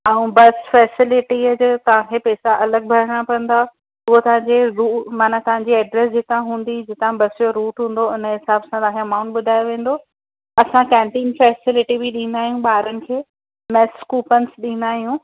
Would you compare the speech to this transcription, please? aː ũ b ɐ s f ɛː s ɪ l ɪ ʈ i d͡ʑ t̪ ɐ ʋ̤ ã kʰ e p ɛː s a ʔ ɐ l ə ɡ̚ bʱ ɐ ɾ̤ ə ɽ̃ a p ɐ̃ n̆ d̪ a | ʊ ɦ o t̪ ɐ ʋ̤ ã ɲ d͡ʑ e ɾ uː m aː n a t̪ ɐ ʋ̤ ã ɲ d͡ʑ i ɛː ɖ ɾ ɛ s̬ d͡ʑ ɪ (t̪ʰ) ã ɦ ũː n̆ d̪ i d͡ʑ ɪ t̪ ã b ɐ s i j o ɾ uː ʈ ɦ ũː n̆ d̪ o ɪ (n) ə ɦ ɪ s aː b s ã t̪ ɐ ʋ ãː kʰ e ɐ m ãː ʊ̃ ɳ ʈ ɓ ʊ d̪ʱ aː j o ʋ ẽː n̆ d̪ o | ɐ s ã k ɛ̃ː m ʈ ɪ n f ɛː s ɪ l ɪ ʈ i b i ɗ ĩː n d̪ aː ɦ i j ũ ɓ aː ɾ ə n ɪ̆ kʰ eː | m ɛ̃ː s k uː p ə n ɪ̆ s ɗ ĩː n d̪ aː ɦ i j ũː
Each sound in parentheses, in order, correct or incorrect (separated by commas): incorrect, correct